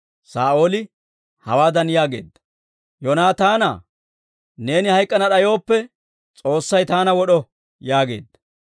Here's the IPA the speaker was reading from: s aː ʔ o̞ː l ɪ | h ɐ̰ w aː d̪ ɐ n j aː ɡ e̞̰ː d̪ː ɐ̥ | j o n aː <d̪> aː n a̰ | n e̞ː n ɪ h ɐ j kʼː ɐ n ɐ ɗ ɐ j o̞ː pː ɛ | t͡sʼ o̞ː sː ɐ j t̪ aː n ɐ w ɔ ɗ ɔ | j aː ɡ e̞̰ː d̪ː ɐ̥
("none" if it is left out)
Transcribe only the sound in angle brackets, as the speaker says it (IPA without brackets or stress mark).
t̪